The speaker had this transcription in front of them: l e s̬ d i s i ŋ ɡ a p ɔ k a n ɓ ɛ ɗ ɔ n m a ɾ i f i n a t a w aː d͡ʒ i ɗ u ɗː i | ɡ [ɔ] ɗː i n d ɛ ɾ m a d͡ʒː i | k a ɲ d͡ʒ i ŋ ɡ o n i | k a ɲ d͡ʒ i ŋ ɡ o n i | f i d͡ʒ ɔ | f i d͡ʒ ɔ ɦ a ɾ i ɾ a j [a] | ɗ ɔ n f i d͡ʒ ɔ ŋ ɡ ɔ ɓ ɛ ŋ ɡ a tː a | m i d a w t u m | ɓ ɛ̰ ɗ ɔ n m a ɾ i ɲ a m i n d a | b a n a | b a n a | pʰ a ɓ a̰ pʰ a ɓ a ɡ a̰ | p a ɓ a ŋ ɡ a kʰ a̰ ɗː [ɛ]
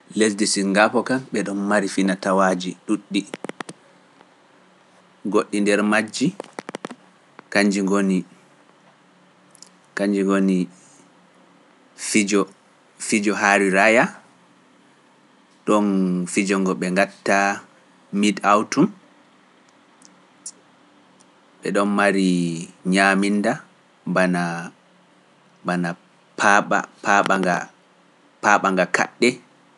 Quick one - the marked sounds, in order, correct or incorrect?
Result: incorrect: o, correct, correct

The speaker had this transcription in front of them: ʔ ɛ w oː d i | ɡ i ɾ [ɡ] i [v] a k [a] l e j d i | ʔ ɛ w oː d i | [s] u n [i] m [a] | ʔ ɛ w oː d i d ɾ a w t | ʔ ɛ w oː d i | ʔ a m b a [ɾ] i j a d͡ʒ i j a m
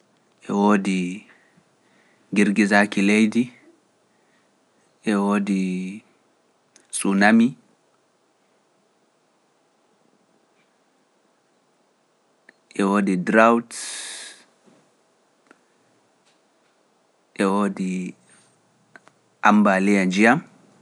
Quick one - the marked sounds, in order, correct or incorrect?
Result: correct, incorrect: z, incorrect: i, correct, incorrect: a, incorrect: i, incorrect: l

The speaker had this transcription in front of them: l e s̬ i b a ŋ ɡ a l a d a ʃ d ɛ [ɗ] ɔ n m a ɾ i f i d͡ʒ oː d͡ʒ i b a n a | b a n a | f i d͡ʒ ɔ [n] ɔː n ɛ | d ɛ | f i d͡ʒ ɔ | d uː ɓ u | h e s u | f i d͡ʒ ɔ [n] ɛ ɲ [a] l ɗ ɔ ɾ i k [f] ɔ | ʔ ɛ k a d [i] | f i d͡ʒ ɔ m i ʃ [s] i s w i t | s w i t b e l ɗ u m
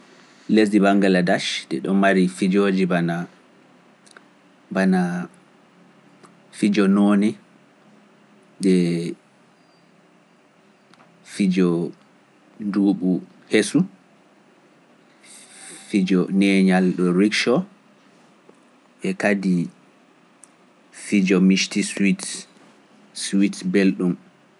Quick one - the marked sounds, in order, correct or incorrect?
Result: correct, correct, correct, correct, incorrect: ʃ, correct, incorrect: t

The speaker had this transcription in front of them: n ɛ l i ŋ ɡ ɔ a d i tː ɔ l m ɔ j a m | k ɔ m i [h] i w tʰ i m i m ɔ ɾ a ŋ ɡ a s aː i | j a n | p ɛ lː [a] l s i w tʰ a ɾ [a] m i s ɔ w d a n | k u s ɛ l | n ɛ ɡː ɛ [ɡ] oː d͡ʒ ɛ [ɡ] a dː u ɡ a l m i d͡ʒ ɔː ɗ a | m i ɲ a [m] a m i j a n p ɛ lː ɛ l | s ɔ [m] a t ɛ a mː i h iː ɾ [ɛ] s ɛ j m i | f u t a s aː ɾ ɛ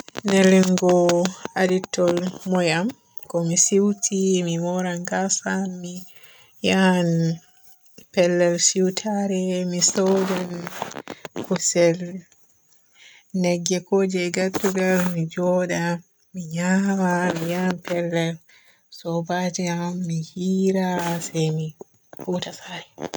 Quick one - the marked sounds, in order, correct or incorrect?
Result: incorrect: s, incorrect: ɛ, incorrect: ɛ, incorrect: k, correct, correct, incorrect: b, incorrect: a

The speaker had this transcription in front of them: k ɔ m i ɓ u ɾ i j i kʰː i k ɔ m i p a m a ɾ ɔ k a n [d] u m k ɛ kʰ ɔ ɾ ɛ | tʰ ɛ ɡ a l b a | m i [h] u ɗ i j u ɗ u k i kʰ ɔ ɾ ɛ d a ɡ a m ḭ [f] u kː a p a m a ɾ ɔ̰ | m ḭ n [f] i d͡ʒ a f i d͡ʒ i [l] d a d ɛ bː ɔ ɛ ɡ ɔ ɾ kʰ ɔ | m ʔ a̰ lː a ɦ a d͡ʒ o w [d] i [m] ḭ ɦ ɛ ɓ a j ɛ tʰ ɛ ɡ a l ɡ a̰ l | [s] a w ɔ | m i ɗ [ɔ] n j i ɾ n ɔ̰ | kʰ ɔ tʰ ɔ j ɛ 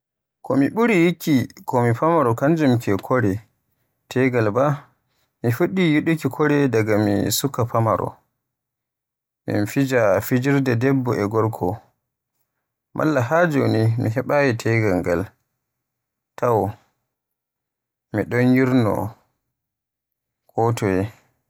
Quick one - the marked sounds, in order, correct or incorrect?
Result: incorrect: d͡ʒ, incorrect: f, incorrect: s, correct, incorrect: ɾ, incorrect: n, correct, incorrect: t, correct

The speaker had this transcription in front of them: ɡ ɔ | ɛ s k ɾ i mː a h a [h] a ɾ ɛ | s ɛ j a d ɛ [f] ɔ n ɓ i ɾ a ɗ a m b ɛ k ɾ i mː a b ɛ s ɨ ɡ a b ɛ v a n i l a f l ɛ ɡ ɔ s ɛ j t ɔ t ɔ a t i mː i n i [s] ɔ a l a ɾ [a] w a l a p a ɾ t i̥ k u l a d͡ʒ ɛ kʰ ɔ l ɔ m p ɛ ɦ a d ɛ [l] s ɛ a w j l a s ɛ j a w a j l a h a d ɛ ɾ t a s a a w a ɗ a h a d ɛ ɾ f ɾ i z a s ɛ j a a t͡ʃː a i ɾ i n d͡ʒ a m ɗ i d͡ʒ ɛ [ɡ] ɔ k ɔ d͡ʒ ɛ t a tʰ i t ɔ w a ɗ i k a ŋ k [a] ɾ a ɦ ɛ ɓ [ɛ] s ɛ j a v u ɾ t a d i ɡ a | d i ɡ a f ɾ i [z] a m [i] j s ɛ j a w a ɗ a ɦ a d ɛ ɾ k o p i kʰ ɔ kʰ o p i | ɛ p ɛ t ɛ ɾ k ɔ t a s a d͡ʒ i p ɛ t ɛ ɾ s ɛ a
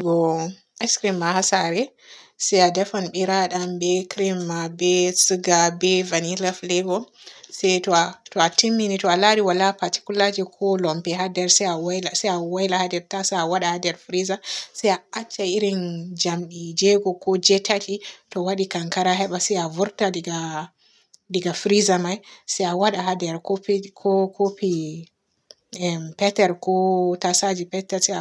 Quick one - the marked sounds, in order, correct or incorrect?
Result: incorrect: s, correct, incorrect: t, incorrect: i, incorrect: ɾ, correct, correct, incorrect: a, correct, incorrect: a

